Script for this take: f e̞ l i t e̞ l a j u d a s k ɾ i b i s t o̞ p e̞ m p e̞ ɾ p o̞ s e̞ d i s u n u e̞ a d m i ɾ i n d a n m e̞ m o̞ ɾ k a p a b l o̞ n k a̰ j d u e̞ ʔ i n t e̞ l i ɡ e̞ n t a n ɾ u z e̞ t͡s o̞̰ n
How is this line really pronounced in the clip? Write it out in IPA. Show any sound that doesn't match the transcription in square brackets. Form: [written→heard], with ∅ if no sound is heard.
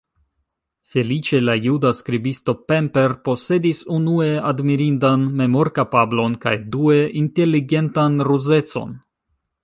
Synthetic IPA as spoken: f e̞ l i [t→t͡ʃ] e̞ l a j u d a s k ɾ i b i s t o̞ p e̞ m p e̞ ɾ p o̞ s e̞ d i s u n u e̞ a d m i ɾ i n d a n m e̞ m o̞ ɾ k a p a b l o̞ n k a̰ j d u e̞ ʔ i n t e̞ l i ɡ e̞ n t a n ɾ u z e̞ t͡s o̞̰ n